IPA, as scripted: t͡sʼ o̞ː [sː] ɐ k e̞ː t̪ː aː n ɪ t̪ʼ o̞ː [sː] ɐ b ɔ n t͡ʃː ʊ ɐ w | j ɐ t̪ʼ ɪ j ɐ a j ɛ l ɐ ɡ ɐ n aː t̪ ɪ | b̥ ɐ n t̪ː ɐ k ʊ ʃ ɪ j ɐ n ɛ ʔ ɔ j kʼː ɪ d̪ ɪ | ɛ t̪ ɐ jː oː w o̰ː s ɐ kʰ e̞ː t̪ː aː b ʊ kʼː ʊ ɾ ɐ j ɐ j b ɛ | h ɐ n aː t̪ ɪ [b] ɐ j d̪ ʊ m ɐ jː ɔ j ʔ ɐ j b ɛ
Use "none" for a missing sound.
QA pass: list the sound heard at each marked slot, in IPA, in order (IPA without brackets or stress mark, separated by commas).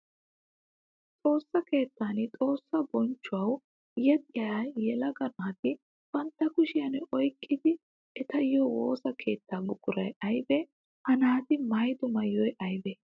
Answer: sː, sː, m